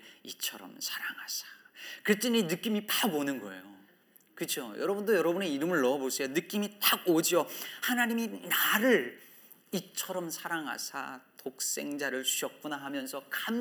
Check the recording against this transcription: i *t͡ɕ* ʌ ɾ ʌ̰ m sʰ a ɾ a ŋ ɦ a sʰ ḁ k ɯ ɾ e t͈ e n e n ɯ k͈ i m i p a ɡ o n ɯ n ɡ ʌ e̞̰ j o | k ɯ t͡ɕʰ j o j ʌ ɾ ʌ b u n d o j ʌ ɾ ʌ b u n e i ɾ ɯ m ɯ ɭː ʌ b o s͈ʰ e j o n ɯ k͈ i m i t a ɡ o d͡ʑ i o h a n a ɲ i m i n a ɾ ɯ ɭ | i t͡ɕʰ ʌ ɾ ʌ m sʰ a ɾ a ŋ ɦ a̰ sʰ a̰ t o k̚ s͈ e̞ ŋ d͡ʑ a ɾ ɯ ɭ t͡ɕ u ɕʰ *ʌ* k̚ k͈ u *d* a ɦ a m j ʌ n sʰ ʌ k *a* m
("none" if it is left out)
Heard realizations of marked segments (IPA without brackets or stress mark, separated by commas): t͡ɕʰ, ʌ, n, a